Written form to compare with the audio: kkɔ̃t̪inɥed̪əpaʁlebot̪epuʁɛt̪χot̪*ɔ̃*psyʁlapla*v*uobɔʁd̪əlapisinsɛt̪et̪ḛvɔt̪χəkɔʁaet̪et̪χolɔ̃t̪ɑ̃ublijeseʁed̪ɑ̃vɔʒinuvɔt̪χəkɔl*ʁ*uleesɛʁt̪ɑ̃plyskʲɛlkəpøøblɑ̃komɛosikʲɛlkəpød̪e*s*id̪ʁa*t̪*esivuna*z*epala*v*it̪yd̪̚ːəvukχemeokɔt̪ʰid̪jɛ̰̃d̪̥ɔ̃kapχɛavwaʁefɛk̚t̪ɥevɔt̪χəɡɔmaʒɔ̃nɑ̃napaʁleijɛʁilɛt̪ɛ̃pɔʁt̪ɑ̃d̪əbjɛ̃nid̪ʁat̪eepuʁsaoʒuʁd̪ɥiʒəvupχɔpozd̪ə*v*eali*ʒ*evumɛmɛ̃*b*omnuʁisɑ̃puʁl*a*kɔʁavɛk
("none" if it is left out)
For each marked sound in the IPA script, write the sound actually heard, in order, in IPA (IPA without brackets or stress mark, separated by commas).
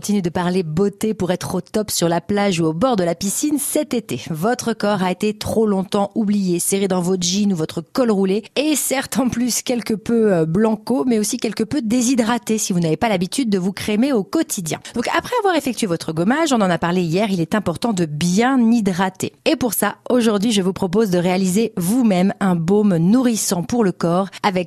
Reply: ɔ, ʒ, ʁ, z, t̪, v, b, ʁ, z, b, ə